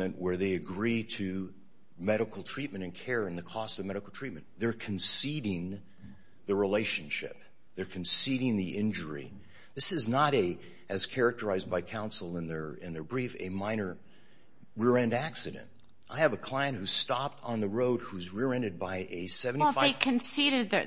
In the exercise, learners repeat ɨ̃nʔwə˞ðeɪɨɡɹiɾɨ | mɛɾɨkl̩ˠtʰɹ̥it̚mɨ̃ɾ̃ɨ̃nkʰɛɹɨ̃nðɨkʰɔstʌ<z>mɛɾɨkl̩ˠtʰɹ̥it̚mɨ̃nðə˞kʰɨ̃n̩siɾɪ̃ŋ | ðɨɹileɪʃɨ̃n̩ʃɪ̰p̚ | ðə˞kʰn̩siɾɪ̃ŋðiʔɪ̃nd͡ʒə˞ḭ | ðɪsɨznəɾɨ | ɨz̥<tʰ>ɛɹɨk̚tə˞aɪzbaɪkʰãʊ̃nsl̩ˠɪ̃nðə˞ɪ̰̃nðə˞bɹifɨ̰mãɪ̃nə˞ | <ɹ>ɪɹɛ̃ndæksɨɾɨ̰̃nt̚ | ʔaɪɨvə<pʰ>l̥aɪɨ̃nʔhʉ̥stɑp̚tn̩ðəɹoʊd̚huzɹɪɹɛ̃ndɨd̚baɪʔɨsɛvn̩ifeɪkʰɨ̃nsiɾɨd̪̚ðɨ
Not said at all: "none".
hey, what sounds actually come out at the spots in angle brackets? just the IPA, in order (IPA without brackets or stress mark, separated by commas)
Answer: v, kʰ, ɹ, kʰ